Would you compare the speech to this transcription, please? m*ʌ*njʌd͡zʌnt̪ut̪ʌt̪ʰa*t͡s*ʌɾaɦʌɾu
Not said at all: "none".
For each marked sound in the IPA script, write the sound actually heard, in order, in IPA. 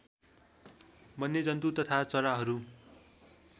ʌ, t͡s

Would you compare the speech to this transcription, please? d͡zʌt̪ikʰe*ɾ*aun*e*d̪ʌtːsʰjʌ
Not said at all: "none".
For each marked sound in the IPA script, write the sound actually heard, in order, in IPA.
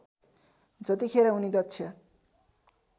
ɾ, i

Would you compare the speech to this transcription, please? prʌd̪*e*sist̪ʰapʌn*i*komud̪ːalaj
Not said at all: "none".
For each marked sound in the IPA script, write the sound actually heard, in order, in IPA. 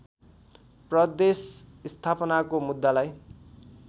e, a

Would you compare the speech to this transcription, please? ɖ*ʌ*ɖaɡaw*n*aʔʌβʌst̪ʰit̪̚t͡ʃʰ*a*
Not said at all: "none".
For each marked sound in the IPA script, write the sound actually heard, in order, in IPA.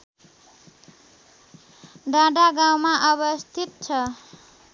a, m, ʌ

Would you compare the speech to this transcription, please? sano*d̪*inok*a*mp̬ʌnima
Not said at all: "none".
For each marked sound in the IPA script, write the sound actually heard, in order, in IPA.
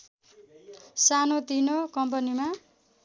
t̪, ʌ

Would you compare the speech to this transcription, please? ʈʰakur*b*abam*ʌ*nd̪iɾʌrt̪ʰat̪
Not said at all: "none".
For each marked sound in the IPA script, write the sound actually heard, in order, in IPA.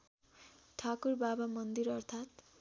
b, ʌ

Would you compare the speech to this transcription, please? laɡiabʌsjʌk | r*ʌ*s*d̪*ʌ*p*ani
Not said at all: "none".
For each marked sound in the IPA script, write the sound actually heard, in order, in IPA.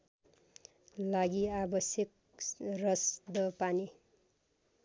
ʌ, d̪, p

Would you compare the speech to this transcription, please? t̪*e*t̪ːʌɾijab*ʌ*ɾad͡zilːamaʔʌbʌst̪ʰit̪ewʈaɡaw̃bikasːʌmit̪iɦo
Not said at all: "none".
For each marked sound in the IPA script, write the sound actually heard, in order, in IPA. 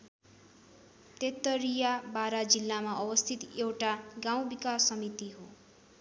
e, a

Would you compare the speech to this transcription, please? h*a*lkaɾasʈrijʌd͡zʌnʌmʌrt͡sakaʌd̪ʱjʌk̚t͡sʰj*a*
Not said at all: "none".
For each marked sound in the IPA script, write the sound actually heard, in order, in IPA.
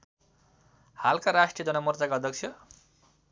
a, ʌ

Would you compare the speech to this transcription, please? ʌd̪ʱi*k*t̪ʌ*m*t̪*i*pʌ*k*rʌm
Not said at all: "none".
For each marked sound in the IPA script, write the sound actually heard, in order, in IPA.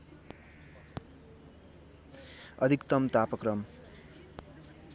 k, m, a, k

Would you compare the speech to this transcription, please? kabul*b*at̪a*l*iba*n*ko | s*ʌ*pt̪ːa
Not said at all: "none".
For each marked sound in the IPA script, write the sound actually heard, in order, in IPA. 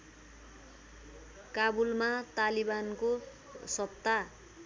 m, l, n, ʌ

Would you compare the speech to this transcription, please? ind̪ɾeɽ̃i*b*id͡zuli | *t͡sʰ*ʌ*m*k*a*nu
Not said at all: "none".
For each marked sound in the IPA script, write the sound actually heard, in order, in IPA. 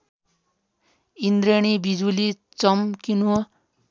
b, t͡s, m, i

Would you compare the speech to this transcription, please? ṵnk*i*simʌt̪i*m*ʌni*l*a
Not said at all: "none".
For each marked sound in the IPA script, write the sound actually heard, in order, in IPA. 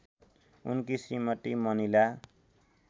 i, m, l

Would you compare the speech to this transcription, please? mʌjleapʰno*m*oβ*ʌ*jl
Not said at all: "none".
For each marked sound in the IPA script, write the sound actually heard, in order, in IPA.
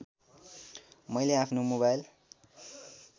m, a

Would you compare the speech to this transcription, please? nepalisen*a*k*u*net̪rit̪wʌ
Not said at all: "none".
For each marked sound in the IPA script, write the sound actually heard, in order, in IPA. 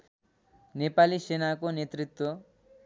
a, o

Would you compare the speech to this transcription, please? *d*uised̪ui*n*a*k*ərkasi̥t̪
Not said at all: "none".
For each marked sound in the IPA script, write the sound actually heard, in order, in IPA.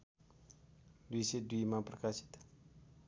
d, m, p

